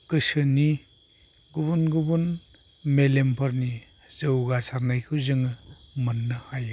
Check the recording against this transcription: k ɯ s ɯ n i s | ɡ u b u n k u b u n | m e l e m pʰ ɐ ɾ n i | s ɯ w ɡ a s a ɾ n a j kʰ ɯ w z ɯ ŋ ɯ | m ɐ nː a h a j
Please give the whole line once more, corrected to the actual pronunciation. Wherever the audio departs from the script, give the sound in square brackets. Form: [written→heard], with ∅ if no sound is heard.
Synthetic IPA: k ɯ s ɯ n i [s→∅] | ɡ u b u n [k→ɡ] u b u n | m e l e m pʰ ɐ ɾ n i | [s→z] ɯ w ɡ a s a ɾ n a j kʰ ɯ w z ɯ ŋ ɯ | m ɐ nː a h a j